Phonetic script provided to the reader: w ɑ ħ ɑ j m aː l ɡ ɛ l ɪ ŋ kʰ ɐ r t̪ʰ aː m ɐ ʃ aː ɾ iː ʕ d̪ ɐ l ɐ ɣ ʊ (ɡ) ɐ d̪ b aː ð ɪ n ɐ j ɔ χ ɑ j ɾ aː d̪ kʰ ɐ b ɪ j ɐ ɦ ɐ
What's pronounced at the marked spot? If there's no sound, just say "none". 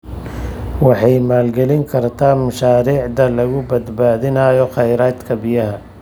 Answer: b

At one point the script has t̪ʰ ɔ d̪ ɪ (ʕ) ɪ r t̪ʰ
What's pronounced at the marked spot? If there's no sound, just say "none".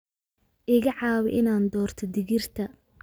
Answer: ɣ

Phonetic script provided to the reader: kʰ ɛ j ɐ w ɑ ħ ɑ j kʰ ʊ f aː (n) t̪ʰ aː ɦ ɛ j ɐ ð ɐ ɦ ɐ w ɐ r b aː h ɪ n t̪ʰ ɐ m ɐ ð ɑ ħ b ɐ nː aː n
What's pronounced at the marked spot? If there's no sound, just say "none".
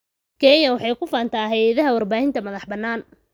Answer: n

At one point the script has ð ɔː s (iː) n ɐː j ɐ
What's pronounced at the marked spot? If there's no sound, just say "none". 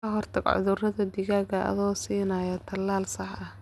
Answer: iː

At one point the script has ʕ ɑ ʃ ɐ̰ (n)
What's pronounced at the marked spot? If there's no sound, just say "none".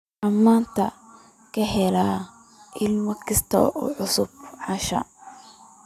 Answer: none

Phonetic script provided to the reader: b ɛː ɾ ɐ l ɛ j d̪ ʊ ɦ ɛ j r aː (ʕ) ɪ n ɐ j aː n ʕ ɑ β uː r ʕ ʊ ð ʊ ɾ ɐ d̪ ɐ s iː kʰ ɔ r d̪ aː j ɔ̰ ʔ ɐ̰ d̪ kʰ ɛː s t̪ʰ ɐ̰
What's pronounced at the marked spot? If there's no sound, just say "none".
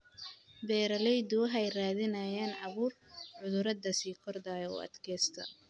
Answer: ð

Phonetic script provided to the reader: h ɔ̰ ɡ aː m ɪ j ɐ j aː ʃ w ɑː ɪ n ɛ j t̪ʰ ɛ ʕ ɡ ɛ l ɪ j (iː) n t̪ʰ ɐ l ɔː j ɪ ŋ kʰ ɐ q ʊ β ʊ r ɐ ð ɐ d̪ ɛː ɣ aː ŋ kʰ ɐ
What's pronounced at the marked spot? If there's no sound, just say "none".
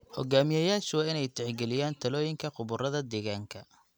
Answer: aː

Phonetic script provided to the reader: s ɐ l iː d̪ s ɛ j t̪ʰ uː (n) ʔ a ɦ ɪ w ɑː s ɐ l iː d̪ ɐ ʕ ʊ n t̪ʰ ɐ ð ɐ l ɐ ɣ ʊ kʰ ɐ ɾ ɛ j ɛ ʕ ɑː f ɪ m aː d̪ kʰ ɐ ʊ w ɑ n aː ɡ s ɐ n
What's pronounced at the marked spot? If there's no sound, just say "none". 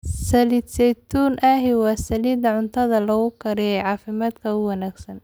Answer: n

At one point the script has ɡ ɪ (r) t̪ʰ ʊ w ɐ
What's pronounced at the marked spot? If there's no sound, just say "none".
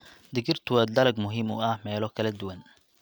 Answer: r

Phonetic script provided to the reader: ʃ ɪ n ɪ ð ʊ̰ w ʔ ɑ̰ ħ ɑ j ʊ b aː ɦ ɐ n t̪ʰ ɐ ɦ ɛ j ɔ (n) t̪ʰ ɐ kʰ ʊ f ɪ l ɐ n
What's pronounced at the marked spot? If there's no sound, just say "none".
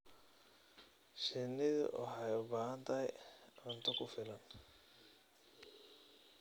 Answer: n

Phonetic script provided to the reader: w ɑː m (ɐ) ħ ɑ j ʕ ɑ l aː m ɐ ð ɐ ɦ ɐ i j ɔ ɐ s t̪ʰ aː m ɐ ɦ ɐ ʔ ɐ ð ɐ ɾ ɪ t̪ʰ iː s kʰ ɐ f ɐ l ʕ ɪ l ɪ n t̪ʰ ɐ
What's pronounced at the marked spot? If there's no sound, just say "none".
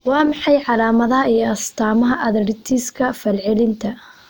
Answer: ɑ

